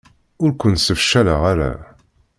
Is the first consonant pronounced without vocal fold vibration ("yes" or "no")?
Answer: no